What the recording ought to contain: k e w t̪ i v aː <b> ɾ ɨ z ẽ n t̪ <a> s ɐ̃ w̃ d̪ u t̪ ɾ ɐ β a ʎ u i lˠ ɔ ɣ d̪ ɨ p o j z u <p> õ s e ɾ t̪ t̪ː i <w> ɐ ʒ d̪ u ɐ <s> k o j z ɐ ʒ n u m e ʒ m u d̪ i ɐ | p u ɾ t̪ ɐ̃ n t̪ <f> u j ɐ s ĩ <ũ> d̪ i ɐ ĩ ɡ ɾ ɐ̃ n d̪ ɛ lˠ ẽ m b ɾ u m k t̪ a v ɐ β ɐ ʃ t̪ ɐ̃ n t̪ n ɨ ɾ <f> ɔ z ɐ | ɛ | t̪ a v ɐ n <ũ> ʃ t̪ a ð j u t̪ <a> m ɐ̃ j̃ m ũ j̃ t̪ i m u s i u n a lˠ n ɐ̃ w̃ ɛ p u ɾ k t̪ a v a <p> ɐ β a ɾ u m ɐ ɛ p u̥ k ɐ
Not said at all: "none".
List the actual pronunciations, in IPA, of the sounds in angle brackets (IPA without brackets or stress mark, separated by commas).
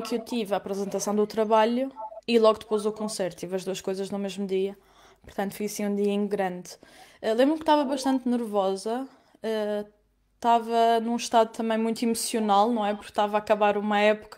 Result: p, ɐ, k, v, ʃ, f, ũ, v, ũ, ɐ, k